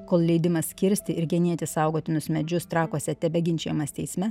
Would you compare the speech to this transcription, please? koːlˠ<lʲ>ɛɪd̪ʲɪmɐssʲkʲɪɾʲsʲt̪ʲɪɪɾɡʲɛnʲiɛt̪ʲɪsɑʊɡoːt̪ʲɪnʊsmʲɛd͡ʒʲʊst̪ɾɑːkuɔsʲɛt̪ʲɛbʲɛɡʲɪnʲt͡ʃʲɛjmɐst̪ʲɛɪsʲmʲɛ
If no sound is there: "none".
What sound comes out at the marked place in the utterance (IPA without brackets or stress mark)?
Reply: lʲ